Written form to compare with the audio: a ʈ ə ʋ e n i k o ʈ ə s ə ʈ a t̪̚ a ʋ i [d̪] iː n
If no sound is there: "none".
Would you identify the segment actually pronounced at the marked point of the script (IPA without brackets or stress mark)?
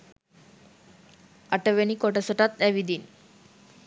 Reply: d̪